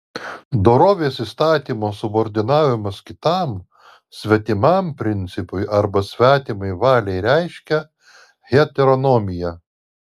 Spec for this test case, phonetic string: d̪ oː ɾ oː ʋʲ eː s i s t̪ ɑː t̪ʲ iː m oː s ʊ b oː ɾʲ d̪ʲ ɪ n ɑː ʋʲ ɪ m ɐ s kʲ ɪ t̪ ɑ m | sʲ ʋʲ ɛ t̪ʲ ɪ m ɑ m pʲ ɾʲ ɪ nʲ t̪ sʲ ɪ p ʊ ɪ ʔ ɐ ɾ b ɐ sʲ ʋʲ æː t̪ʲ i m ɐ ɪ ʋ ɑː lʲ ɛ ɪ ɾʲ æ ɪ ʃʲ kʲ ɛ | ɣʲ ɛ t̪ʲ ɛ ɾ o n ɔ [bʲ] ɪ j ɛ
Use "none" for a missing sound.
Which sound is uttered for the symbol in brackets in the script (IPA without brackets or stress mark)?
mʲ